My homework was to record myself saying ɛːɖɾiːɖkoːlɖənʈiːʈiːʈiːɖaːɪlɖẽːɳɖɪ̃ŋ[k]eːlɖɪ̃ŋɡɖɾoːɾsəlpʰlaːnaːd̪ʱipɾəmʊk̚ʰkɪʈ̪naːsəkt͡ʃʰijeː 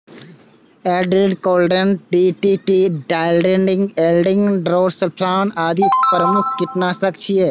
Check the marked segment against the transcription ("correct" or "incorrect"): incorrect